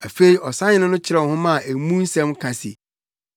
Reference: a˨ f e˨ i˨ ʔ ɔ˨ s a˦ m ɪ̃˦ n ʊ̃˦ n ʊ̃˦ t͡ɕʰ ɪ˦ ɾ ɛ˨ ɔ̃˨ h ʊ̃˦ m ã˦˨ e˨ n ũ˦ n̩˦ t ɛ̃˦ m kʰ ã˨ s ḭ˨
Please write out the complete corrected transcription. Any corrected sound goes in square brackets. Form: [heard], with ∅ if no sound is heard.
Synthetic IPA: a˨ f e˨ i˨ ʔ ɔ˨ s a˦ [ɲ] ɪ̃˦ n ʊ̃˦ n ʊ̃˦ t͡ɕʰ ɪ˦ ɾ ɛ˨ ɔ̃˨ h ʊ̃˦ m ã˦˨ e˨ [m] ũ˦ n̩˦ [s] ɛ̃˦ m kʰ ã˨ s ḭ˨